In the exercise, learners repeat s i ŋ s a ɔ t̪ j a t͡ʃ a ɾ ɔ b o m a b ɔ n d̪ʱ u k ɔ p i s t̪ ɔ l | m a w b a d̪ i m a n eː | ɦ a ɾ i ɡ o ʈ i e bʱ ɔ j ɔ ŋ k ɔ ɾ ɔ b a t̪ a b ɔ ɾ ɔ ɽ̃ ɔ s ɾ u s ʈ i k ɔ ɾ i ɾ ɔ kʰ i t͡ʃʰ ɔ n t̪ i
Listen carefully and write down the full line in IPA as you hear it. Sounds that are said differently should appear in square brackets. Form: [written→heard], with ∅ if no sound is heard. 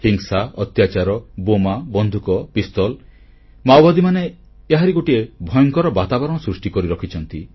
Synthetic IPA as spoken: [s→h] i ŋ s a ɔ t̪ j a t͡ʃ a ɾ ɔ b o m a b ɔ n d̪ʱ u k ɔ p i s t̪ ɔ l | m a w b a d̪ i m a n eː | ɦ a ɾ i ɡ o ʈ i e bʱ ɔ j ɔ ŋ k ɔ ɾ ɔ b a t̪ a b ɔ ɾ ɔ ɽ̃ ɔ s ɾ u s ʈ i k ɔ ɾ i ɾ ɔ kʰ i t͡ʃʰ ɔ n t̪ i

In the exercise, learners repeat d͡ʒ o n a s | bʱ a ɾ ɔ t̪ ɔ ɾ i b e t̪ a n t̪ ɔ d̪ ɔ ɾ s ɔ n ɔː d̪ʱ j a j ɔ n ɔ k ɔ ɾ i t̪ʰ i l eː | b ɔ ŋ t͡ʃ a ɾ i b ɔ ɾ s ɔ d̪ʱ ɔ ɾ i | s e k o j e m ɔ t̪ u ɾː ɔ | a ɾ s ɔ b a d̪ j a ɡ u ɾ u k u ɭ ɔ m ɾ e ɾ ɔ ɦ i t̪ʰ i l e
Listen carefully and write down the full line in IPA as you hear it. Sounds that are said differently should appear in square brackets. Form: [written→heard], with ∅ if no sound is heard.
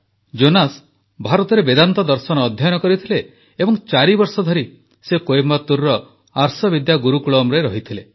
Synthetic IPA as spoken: d͡ʒ o n a s | bʱ a ɾ ɔ t̪ ɔ ɾ [i→e] b e [t̪→d̪] a n t̪ ɔ d̪ ɔ ɾ s ɔ n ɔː d̪ʱ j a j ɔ n ɔ k ɔ ɾ i t̪ʰ i l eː | b ɔ ŋ t͡ʃ a ɾ i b ɔ ɾ s ɔ d̪ʱ ɔ ɾ i | s e k o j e m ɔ t̪ u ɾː ɔ | a ɾ s ɔ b [a→i] d̪ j a ɡ u ɾ u k u ɭ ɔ m ɾ e ɾ ɔ ɦ i t̪ʰ i l e

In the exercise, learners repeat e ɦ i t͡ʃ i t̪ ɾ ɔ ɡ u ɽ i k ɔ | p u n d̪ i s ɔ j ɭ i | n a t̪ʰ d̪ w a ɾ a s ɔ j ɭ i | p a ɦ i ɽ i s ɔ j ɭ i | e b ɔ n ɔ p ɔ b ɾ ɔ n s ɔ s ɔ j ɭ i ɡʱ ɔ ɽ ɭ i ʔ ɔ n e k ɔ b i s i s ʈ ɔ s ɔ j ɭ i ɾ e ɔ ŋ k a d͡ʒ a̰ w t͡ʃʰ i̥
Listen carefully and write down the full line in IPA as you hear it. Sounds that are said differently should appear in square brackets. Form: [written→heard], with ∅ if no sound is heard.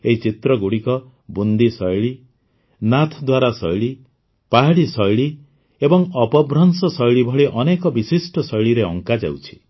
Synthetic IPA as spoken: e ɦ i t͡ʃ i t̪ ɾ ɔ ɡ u ɽ i k ɔ | [p→b] u n d̪ i s ɔ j ɭ i | n a t̪ʰ d̪ w a ɾ a s ɔ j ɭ i | p a ɦ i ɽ i s ɔ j ɭ i | e b ɔ [n→ŋ] ɔ p ɔ b ɾ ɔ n s ɔ s ɔ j ɭ i [ɡʱ→bʱ] ɔ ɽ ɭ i ʔ ɔ n e k ɔ b i s i s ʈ ɔ s ɔ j ɭ i ɾ e ɔ ŋ k a d͡ʒ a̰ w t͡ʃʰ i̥

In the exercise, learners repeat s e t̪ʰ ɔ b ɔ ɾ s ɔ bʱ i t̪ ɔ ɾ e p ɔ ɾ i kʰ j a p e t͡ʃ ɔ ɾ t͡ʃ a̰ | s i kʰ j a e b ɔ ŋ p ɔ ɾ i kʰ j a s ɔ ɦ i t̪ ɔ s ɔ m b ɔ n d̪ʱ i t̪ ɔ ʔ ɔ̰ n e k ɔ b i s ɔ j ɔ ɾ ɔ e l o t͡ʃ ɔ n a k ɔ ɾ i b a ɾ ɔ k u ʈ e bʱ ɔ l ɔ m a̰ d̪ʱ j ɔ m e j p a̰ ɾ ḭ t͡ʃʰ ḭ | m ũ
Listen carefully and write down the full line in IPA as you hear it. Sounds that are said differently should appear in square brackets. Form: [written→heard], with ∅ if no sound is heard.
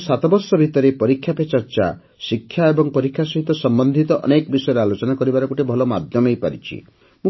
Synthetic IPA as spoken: s [e→a] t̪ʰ ɔ b ɔ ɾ s ɔ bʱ i t̪ ɔ ɾ e p ɔ ɾ i kʰ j a p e t͡ʃ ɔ ɾ t͡ʃ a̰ | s i kʰ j a e b ɔ ŋ p ɔ ɾ i kʰ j a s ɔ ɦ i t̪ ɔ s ɔ m b ɔ n d̪ʱ i t̪ ɔ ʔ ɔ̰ n e k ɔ b i s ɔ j ɔ ɾ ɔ [e→a] l o t͡ʃ ɔ n a k ɔ ɾ i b a ɾ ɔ k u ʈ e bʱ ɔ l ɔ m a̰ d̪ʱ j ɔ m e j p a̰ ɾ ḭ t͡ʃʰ ḭ | m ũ

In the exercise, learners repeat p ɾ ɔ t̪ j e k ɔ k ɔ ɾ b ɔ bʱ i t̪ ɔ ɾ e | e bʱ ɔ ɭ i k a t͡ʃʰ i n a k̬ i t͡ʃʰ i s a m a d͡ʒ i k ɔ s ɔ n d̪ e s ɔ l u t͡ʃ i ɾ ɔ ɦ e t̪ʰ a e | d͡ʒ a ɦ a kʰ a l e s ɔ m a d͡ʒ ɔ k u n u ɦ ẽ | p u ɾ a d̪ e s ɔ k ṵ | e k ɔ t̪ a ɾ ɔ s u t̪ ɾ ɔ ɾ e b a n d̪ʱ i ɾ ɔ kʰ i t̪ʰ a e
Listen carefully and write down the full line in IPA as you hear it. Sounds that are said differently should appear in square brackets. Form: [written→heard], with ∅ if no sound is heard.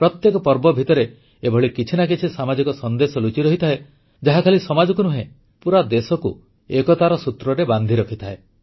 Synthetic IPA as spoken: p ɾ ɔ t̪ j e k ɔ [k→p] ɔ ɾ b ɔ bʱ i t̪ ɔ ɾ e | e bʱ ɔ ɭ i k [a→i] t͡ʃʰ i n a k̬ i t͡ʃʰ i s a m a d͡ʒ i k ɔ s ɔ n d̪ e s ɔ l u t͡ʃ i ɾ ɔ ɦ [e→i] t̪ʰ a e | d͡ʒ a ɦ a kʰ a l [e→i] s ɔ m a d͡ʒ ɔ k u n u ɦ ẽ | p u ɾ a d̪ e s ɔ k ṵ | e k ɔ t̪ a ɾ ɔ s u t̪ ɾ ɔ ɾ e b a n d̪ʱ i ɾ ɔ kʰ i t̪ʰ a e

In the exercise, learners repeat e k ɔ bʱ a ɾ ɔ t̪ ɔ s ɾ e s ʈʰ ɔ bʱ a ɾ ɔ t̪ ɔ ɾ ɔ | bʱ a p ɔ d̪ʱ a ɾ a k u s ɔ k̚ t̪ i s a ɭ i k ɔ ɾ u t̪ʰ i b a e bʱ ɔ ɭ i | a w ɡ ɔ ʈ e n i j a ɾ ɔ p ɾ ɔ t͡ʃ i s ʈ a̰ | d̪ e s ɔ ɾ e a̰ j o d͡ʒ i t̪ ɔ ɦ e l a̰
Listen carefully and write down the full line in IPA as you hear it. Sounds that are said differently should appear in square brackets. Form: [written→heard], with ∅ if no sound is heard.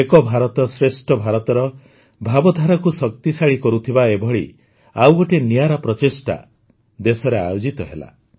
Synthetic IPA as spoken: e k ɔ bʱ a ɾ ɔ t̪ ɔ s ɾ e s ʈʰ ɔ bʱ a ɾ ɔ t̪ ɔ ɾ ɔ | bʱ a [p→b] ɔ d̪ʱ a ɾ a k u s ɔ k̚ t̪ i s a ɭ i k ɔ ɾ u t̪ʰ i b a e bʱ ɔ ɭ i | a w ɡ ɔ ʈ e n i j a ɾ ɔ p ɾ ɔ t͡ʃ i s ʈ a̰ | d̪ e s ɔ ɾ e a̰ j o d͡ʒ i t̪ ɔ ɦ e l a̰

